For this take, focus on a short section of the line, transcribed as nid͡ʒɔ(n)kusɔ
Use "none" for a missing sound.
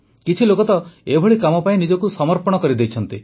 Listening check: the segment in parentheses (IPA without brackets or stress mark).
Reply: none